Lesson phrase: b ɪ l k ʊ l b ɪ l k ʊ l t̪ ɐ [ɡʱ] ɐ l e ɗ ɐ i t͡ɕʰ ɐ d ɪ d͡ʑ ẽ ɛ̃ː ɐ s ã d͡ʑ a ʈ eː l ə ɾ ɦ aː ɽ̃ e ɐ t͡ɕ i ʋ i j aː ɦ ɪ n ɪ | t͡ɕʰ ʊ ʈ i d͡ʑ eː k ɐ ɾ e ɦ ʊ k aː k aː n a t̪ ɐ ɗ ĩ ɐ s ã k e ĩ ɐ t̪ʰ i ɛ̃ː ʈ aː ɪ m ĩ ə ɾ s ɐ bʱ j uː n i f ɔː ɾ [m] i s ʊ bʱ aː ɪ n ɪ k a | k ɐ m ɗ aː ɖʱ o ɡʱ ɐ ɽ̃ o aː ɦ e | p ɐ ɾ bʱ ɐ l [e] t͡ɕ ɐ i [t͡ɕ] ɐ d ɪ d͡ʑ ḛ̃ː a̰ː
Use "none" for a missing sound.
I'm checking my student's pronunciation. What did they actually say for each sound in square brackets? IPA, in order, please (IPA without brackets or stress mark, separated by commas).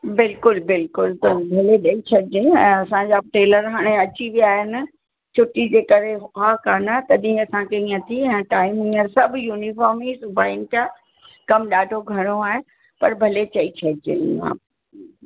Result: bʱ, m, e, t͡ɕʰ